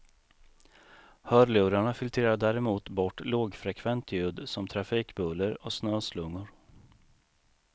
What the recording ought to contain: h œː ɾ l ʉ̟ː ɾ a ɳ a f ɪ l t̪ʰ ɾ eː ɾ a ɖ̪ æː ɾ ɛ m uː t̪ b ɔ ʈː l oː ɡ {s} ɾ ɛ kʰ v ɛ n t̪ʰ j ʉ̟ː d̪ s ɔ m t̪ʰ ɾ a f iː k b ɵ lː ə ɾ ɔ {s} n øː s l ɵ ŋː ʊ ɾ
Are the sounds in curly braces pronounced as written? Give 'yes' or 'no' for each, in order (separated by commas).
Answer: no, yes